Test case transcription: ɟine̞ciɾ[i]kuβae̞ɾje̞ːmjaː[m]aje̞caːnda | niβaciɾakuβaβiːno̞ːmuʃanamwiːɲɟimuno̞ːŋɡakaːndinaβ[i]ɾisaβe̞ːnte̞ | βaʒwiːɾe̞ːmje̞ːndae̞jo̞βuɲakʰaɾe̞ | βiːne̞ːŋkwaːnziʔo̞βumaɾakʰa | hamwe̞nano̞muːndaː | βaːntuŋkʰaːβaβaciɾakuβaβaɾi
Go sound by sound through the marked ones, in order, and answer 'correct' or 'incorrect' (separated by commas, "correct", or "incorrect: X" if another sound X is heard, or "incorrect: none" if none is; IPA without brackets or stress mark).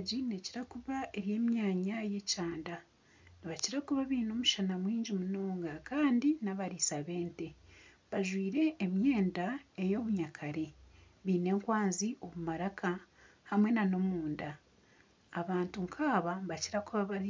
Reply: incorrect: a, incorrect: ɲ, incorrect: a